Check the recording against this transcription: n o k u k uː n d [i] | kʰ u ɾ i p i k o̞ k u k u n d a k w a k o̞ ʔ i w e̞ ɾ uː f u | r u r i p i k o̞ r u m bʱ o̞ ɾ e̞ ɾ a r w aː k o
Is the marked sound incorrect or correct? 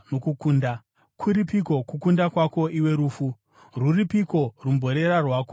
incorrect